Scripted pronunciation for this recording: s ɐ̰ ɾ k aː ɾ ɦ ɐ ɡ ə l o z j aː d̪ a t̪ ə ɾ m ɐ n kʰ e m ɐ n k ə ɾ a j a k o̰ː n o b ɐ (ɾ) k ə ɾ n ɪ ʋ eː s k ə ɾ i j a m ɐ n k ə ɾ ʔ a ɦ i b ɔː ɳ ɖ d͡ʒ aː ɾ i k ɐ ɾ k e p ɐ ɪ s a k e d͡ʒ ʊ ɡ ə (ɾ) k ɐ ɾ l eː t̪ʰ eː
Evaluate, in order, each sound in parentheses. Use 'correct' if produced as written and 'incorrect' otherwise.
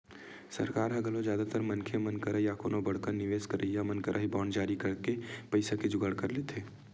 incorrect: ɽ, incorrect: ɽ

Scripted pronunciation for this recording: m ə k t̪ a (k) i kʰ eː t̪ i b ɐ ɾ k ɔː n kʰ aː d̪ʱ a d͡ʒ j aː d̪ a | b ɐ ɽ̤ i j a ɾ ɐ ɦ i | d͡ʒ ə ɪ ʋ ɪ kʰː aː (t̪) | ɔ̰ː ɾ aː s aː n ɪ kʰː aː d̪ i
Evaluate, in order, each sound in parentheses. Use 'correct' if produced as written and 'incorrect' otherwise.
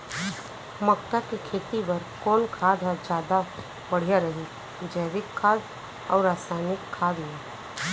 correct, incorrect: d̪

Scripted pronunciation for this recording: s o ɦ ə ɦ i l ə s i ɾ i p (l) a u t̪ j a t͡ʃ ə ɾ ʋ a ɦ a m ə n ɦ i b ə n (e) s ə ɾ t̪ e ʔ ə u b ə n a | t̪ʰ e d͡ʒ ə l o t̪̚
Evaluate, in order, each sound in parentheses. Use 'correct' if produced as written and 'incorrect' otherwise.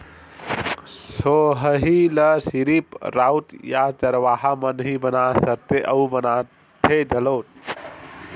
incorrect: ɾ, incorrect: a

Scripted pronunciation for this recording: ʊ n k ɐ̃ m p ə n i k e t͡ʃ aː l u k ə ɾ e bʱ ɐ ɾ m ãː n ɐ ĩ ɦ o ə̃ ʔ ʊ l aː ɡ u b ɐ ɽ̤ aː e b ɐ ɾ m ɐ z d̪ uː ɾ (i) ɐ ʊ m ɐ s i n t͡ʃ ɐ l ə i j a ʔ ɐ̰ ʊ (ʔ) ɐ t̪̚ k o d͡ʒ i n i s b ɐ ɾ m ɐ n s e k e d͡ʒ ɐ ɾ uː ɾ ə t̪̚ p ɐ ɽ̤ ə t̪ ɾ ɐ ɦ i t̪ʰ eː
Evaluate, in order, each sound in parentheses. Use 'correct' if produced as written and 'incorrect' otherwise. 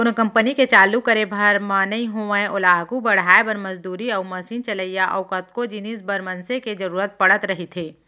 correct, incorrect: k

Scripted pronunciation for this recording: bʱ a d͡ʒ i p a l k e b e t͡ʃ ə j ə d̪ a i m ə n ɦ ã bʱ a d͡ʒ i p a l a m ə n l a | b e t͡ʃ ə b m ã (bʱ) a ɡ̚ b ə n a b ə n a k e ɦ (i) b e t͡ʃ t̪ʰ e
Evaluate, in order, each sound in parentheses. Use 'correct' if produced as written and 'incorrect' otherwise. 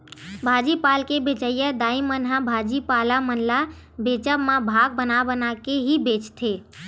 correct, correct

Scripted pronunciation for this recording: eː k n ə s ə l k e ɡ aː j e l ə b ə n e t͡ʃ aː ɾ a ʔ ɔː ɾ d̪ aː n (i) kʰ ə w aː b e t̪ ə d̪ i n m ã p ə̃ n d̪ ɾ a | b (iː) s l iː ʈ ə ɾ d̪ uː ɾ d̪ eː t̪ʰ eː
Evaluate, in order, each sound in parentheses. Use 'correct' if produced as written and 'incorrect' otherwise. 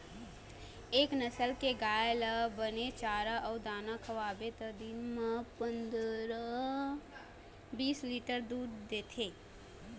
incorrect: a, correct

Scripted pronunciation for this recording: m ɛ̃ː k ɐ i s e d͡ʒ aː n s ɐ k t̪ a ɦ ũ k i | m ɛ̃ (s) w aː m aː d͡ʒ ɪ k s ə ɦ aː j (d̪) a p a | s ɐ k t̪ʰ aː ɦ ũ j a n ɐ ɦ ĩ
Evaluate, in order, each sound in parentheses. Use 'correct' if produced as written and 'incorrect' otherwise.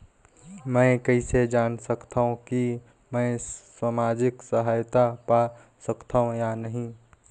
correct, incorrect: t̪

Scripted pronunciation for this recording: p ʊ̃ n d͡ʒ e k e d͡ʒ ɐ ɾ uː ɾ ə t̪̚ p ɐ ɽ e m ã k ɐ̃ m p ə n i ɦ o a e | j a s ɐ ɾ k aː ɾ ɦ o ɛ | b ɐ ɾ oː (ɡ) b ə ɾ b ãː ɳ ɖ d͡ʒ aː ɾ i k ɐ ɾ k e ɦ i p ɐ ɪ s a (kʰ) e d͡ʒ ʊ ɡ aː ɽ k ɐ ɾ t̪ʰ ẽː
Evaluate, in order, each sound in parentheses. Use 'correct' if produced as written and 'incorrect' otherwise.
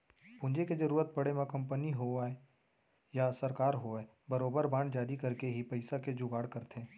incorrect: none, incorrect: k

